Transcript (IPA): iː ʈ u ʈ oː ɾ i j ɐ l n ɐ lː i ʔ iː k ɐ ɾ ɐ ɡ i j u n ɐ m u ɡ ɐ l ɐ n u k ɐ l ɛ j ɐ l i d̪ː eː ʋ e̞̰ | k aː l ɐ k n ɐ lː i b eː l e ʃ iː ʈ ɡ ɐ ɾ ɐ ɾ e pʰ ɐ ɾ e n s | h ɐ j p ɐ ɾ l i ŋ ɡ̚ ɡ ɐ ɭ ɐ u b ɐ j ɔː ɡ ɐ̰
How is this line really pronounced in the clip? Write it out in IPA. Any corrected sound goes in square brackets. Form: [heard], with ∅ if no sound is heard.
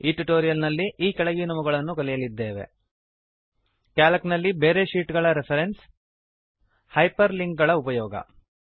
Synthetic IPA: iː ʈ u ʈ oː ɾ i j ɐ l n ɐ lː i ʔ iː k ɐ [ɭ] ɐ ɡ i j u n ɐ m u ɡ ɐ [ɭ] ɐ [nː] u k ɐ l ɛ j ɐ l i d̪ː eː ʋ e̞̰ | k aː l ɐ k n ɐ lː i b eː [ɾ] e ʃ iː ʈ ɡ ɐ [ɭ] ɐ ɾ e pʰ ɐ ɾ e n s | h ɐ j p ɐ ɾ l i ŋ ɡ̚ ɡ ɐ ɭ ɐ u [p] ɐ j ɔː ɡ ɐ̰